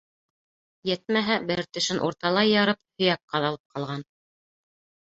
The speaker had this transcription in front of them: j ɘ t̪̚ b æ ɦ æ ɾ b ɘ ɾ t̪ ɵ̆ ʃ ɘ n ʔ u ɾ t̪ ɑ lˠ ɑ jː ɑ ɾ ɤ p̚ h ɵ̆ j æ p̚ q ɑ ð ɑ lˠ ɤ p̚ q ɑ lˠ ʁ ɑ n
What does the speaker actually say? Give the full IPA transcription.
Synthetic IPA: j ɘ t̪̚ m æ ɦ æ b ɘ ɾ t̪ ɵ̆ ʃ ɘ n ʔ u ɾ t̪ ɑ lˠ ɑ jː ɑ ɾ ɤ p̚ h ɵ̆ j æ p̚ q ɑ ð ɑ lˠ ɤ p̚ q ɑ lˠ ʁ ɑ n